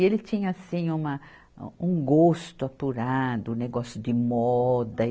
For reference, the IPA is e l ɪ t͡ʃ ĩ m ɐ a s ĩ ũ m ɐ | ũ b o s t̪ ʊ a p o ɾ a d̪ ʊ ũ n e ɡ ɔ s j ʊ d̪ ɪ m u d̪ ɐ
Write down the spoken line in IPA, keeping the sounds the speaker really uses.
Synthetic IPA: e l ɪ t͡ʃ ĩ ɲ ɐ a s ĩ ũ m ɐ | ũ ɡ o s t̪ ʊ a p u ɾ a d̪ ʊ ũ n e ɡ ɔ s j ʊ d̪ ɪ m ɔ d̪ ɐ